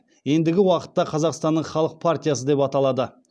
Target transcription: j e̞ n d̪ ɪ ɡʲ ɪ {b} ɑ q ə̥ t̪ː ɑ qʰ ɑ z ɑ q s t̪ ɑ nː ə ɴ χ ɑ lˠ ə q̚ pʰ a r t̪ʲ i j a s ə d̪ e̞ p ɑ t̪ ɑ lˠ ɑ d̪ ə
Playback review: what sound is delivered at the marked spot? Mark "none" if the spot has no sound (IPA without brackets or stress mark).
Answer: w